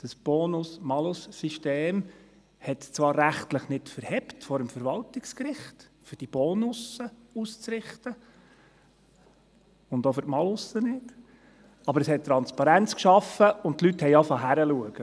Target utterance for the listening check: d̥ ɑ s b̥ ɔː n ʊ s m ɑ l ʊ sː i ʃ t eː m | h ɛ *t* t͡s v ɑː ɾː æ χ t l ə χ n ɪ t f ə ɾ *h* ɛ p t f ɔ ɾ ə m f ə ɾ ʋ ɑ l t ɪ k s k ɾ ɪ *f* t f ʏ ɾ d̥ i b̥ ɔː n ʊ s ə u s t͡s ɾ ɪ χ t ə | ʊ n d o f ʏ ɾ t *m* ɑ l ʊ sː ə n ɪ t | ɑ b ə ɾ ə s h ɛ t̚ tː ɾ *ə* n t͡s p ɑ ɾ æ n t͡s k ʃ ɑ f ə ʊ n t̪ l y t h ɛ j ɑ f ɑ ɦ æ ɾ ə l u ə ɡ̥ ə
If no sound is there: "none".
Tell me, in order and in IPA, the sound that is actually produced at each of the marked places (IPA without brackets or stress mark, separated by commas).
t, h, χ, m, ɑ